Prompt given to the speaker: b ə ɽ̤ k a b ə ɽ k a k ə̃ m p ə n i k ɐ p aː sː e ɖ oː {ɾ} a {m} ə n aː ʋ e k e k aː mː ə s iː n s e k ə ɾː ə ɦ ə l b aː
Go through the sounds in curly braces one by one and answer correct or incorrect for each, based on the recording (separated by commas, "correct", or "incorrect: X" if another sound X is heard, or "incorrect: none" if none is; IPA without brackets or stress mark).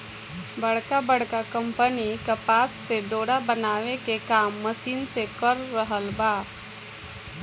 incorrect: ɽ, incorrect: b